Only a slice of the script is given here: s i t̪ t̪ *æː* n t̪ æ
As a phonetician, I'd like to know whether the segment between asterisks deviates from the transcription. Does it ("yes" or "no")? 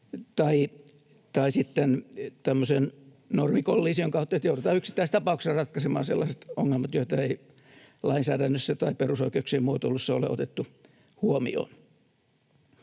yes